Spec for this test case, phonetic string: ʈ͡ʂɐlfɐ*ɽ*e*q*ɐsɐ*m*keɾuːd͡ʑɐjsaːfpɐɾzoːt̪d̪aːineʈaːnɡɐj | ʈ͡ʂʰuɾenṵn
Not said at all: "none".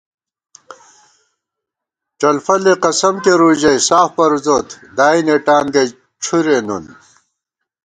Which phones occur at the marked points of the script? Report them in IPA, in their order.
l, q, m

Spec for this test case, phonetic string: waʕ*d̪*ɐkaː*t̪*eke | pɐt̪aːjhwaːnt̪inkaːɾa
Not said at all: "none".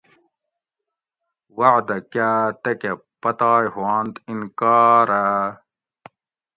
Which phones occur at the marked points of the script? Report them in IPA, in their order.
d̪, t̪

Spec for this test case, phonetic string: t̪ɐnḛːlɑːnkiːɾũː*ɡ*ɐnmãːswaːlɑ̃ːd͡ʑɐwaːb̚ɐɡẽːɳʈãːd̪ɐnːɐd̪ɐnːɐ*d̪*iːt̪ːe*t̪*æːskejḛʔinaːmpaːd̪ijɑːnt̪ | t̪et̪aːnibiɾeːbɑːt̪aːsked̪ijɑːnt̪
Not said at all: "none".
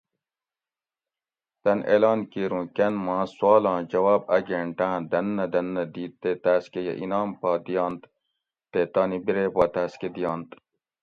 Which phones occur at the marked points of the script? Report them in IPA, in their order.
k, d̪, t̪

